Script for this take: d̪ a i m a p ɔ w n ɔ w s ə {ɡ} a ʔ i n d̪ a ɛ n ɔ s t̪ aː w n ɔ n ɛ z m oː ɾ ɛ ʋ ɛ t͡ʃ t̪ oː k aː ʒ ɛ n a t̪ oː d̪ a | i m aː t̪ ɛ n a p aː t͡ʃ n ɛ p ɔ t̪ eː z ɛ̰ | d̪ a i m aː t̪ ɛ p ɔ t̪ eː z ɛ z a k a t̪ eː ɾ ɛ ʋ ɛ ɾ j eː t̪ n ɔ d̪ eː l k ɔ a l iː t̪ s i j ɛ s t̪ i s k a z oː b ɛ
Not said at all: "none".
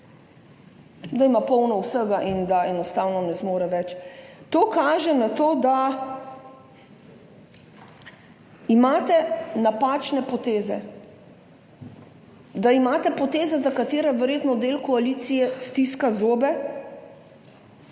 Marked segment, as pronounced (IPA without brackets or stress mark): ɡ